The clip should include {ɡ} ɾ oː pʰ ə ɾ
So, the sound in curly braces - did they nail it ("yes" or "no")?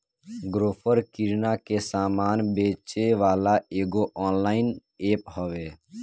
yes